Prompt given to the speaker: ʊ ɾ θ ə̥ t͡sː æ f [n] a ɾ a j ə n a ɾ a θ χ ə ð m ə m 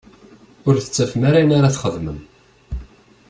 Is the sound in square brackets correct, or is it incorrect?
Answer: incorrect